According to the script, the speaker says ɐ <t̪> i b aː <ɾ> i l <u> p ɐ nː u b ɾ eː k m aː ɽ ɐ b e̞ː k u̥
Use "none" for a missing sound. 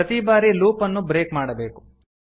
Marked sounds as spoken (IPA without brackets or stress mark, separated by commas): t̪, ɾ, uː